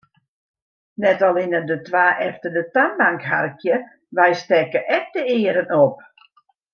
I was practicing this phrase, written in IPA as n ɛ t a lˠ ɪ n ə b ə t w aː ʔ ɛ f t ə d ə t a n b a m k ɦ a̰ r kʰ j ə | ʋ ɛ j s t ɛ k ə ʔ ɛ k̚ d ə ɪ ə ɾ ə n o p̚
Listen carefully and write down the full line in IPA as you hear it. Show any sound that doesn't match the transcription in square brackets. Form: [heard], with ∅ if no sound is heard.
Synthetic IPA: n ɛ t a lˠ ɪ n ə [d] ə t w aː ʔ ɛ f t ə d ə t a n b a [ŋ] k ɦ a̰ r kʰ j ə | ʋ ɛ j s t ɛ k ə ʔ ɛ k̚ d ə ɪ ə ɾ ə n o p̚